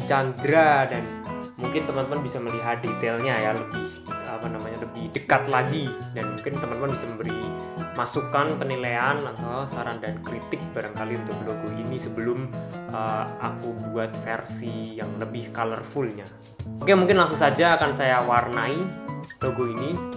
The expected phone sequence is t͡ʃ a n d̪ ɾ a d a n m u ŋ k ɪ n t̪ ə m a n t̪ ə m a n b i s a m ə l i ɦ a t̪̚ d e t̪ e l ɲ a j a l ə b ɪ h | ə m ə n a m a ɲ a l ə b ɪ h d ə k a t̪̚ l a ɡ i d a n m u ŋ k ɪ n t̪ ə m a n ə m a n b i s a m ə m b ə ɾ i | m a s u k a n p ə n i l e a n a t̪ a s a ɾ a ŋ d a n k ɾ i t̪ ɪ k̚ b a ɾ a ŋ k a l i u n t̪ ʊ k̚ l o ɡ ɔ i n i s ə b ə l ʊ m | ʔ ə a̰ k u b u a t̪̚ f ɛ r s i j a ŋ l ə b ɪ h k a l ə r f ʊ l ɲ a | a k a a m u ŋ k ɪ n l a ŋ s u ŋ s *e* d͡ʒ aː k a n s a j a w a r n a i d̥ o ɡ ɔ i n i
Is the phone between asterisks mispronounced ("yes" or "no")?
yes